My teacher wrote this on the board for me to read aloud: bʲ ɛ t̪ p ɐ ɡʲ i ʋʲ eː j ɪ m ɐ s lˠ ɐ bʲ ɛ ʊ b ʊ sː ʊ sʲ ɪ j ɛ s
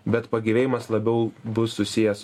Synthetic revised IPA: bʲ ɛ t̪ p ɐ ɡʲ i ʋʲ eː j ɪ m ɐ s lˠ ɐ bʲ ɛ ʊ b ʊ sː ʊ sʲ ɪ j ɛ s

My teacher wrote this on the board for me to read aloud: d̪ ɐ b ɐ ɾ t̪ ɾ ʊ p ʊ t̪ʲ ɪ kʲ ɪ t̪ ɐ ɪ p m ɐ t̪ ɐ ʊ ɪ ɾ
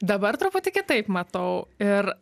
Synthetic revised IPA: d̪ ɐ b ɐ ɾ t̪ ɾ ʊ p ʊ t̪ʲ ɪ kʲ ɪ t̪ ɐ ɪ p m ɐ t̪ ɐ ʊ ɪ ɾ

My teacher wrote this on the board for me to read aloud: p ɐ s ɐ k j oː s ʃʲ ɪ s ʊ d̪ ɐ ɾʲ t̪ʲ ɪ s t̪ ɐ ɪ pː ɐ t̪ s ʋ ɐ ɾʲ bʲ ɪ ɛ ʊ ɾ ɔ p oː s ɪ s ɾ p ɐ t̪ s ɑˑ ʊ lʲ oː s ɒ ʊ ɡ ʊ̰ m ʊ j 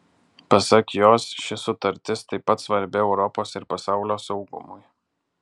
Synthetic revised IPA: p ɐ s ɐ k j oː s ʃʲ ɪ s ʊ t̪ ɐ ɾʲ t̪ʲ ɪ s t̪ ɐ ɪ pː ɐ t̪ s ʋ ɐ ɾʲ bʲ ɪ ɛ ʊ ɾ ɔ p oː s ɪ ɾ p ɐ s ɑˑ ʊ lʲ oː s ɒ ʊ ɡ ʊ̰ m ʊ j

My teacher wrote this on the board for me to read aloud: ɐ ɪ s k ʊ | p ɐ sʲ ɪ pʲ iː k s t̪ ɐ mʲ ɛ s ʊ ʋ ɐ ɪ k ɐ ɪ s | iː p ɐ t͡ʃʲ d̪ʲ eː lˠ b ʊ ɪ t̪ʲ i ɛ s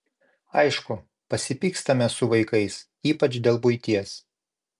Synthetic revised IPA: ɐ ɪ ʃ k ʊ | p ɐ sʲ ɪ pʲ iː k s t̪ ɐ mʲ ɛ s ʊ ʋ ɐ ɪ k ɐ ɪ s | iː p ɐ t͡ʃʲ d̪ʲ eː lˠ b ʊ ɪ t̪ʲ i ɛ s

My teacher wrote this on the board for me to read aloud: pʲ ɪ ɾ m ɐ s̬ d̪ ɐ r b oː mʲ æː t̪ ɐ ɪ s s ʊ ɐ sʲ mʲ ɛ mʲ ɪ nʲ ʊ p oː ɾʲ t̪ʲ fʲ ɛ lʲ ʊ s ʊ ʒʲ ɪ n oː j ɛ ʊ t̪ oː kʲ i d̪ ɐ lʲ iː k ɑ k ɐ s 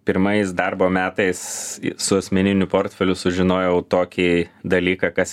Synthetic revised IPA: pʲ ɪ ɾ m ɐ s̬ d̪ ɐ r b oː mʲ æː t̪ ɐ ɪ s s ʊ ɐ sʲ mʲ ɛ nʲ ɪ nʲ ʊ p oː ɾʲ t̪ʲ fʲ ɛ lʲ ʊ s ʊ ʒʲ ɪ n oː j ɛ ʊ t̪ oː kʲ i d̪ ɐ lʲ iː k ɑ k ɐ s

